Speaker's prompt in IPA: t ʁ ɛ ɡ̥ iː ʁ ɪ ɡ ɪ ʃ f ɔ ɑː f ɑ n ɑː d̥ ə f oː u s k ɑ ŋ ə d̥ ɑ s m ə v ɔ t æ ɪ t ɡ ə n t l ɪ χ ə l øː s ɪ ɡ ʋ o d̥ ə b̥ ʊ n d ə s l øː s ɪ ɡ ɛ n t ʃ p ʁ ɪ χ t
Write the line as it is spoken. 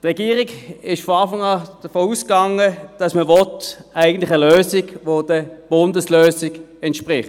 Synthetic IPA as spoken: t ʁ ɛ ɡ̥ iː ʁ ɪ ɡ ɪ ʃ f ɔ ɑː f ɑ ŋ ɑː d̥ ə f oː u s k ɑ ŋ ə d̥ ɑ s m ə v ɔ t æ ɪ ɡ ə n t l ɪ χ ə l øː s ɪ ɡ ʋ o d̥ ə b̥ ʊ n d ə s l øː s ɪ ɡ ɛ n t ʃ p ʁ ɪ χ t